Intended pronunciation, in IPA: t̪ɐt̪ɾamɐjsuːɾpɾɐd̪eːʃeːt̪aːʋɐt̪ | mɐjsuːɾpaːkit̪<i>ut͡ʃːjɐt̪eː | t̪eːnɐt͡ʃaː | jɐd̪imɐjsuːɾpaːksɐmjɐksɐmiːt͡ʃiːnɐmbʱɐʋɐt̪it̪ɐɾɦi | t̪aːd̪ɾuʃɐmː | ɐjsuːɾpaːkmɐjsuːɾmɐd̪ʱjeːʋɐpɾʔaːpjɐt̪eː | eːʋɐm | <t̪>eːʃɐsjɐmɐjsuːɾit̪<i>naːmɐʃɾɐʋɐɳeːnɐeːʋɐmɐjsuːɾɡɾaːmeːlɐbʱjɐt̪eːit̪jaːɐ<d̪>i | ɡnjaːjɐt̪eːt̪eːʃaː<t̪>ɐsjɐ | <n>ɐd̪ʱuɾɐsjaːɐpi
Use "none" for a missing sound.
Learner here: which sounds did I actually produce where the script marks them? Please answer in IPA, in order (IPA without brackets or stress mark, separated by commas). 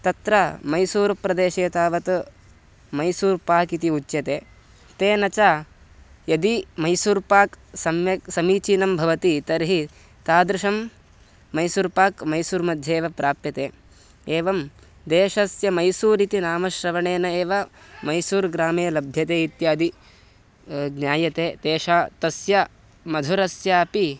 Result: i, d̪, i, d̪, t̪, m